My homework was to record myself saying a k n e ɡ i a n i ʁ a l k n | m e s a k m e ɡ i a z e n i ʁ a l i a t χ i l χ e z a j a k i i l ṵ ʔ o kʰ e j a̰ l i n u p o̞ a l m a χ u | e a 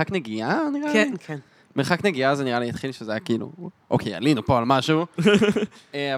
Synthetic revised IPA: a k n e ɡ i a n i ʁ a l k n | m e χ a k n e ɡ i a z e n i ʁ a l i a t χ i l ʃ e z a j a k i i l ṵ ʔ o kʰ e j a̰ l i n u p o̞ a l m a ʃ u | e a